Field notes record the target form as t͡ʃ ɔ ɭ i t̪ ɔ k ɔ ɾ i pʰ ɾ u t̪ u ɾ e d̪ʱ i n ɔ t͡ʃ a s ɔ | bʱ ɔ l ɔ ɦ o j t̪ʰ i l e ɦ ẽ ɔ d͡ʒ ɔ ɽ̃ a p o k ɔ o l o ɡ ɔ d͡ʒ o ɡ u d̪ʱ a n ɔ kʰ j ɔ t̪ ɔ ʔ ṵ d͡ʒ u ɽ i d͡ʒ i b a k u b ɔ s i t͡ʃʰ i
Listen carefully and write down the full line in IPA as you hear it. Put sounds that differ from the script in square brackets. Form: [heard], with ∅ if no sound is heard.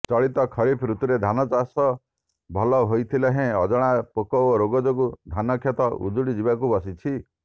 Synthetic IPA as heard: t͡ʃ ɔ ɭ i t̪ ɔ [kʰ] ɔ ɾ i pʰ ɾ u t̪ u ɾ e d̪ʱ [a] n ɔ t͡ʃ a s ɔ | bʱ ɔ l ɔ ɦ o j t̪ʰ i l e ɦ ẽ ɔ d͡ʒ ɔ ɽ̃ a p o k ɔ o [ɾ] o ɡ ɔ d͡ʒ o ɡ u d̪ʱ a n ɔ kʰ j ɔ t̪ ɔ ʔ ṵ d͡ʒ u ɽ i d͡ʒ i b a k u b ɔ s i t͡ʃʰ i

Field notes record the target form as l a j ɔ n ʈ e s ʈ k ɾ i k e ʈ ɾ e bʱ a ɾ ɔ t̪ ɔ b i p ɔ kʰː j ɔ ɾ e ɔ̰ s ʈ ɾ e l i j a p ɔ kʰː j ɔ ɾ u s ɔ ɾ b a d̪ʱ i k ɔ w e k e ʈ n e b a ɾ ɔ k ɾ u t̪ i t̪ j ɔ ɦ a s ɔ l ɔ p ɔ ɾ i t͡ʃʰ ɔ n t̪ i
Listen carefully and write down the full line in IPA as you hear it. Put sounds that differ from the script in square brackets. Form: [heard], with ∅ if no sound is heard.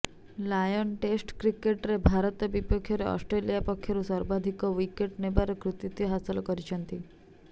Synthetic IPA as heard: l a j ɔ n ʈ e s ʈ k ɾ i k e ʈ ɾ e bʱ a ɾ ɔ t̪ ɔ b i p ɔ kʰː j ɔ ɾ e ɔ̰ s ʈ ɾ e l i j a p ɔ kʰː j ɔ ɾ u s ɔ ɾ b a d̪ʱ i k ɔ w [i] k e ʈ n e b a ɾ ɔ k ɾ u t̪ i t̪ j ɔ ɦ a s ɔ l ɔ [k] ɔ ɾ i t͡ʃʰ ɔ n t̪ i

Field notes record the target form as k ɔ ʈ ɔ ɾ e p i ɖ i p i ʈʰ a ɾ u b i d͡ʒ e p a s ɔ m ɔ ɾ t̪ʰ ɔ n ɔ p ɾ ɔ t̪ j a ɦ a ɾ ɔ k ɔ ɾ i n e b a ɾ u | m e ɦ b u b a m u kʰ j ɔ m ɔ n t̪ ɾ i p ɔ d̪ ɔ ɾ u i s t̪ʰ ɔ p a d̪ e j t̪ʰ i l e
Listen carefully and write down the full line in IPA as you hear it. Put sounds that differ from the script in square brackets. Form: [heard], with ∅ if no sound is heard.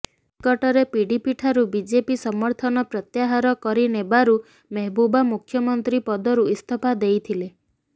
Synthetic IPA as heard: k ɔ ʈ ɔ ɾ e p i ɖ i p i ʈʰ a ɾ u b i d͡ʒ e p [i] s ɔ m ɔ ɾ t̪ʰ ɔ n ɔ p ɾ ɔ t̪ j a ɦ a ɾ ɔ k ɔ ɾ i n e b a ɾ u | m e ɦ b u b a m u kʰ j ɔ m ɔ n t̪ ɾ i p ɔ d̪ ɔ ɾ u i s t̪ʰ ɔ p a d̪ e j t̪ʰ i l e

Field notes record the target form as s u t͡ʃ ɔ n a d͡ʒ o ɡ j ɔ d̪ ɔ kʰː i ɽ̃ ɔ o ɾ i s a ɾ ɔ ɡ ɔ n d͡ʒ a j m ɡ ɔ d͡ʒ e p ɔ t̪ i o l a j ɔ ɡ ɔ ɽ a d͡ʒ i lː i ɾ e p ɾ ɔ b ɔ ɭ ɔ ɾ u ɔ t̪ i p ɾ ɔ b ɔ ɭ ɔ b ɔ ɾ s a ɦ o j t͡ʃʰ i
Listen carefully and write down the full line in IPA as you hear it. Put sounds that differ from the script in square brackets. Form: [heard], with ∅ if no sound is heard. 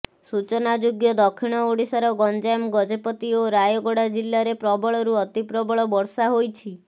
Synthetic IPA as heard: s u t͡ʃ ɔ n a d͡ʒ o ɡ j ɔ d̪ ɔ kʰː i ɽ̃ ɔ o [ɽ] i s a ɾ ɔ ɡ ɔ n d͡ʒ a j m ɡ ɔ d͡ʒ e p ɔ t̪ i o [ɾ] a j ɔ ɡ ɔ ɽ a d͡ʒ i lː [a] ɾ e p ɾ ɔ b ɔ ɭ ɔ ɾ u ɔ t̪ i p ɾ ɔ b ɔ ɭ ɔ b ɔ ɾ s a ɦ o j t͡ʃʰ i

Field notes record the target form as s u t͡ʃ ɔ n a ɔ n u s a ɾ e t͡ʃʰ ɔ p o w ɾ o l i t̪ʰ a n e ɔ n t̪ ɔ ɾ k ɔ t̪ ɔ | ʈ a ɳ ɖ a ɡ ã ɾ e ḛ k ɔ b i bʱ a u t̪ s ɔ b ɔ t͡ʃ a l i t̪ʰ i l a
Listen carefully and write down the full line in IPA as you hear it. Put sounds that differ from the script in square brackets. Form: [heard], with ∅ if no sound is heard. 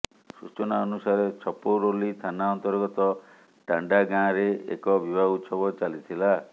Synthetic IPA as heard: s u t͡ʃ ɔ n a ɔ n u s a ɾ e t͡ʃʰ ɔ p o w ɾ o l i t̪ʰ a n [a] ɔ n t̪ ɔ ɾ [ɡ] ɔ t̪ ɔ | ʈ a ɳ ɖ a ɡ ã ɾ e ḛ k ɔ b i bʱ a u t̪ s ɔ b ɔ t͡ʃ a l i t̪ʰ i l a

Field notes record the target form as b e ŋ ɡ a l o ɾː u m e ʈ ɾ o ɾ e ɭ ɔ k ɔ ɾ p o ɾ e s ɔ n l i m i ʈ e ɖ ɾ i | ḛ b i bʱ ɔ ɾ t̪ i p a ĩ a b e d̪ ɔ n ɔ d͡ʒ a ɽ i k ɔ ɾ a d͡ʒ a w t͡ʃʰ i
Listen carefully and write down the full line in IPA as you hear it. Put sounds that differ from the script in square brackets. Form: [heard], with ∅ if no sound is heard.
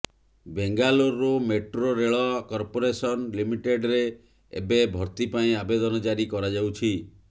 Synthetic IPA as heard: b e ŋ ɡ a l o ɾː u m e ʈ ɾ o ɾ e ɭ ɔ k ɔ ɾ p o ɾ e s ɔ n l i m i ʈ e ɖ ɾ [e] | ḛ b [e] bʱ ɔ ɾ t̪ i p a ĩ a b e d̪ ɔ n ɔ d͡ʒ a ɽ i k ɔ ɾ a d͡ʒ a w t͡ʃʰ i

